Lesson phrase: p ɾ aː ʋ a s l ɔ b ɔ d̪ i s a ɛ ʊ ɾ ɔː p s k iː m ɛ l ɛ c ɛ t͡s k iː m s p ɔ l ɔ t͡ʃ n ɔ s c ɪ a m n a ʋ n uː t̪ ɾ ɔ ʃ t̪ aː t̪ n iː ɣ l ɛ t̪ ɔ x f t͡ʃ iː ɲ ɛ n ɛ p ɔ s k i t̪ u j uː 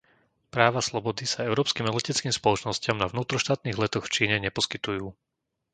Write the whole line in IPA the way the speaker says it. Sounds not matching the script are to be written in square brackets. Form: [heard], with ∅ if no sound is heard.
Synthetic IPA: p ɾ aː ʋ a s l ɔ b ɔ d̪ i s a ɛ ʊ ɾ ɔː p s k iː m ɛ l ɛ c ɛ t͡s k iː m s p ɔ l ɔ t͡ʃ n ɔ s c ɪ a m n a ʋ n uː t̪ ɾ ɔ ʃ t̪ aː t̪ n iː ɣ l ɛ t̪ ɔ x f t͡ʃ iː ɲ ɛ [ɲ] ɛ p ɔ s k i t̪ u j uː

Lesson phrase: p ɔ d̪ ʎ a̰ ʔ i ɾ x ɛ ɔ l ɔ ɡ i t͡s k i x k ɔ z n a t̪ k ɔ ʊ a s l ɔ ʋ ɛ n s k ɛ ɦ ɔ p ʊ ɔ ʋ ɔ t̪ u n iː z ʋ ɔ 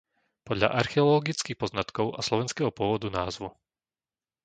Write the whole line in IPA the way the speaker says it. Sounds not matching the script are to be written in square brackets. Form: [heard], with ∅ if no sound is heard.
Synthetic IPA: p ɔ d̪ ʎ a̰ ʔ [a] ɾ x ɛ ɔ l ɔ ɡ i t͡s k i x [p] ɔ z n a t̪ k ɔ ʊ a s l ɔ ʋ ɛ n s k ɛ ɦ ɔ p ʊ ɔ ʋ ɔ [d̪] u n [aː] z ʋ [u]

